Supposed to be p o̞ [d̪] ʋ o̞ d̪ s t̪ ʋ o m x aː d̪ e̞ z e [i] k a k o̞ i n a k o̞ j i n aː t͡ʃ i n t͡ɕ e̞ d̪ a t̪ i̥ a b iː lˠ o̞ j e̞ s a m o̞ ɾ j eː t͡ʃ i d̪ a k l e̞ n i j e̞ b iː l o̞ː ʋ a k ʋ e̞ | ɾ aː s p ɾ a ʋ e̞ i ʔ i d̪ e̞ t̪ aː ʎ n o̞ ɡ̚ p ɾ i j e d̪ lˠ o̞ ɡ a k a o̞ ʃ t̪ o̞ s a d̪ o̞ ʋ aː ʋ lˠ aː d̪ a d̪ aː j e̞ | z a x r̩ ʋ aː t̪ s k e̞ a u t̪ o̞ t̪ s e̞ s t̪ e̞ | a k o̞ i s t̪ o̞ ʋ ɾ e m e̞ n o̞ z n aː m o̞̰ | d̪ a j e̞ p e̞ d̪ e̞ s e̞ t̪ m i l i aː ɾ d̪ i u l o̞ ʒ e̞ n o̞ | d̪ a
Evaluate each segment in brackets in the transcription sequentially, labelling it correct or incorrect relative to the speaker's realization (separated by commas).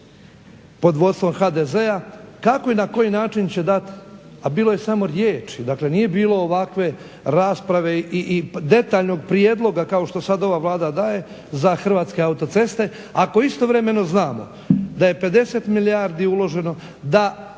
correct, incorrect